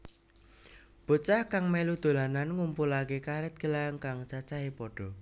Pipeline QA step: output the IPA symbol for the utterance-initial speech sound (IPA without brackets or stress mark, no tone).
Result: b̥